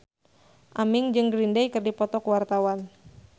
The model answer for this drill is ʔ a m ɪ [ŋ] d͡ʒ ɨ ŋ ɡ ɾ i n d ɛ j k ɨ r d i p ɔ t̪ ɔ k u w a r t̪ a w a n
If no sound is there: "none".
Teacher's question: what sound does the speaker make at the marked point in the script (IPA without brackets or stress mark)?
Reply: ŋ